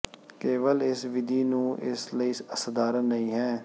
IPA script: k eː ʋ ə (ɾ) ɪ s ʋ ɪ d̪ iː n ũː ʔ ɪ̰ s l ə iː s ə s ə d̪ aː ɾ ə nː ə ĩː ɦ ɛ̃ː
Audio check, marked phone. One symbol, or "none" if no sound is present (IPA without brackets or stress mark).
l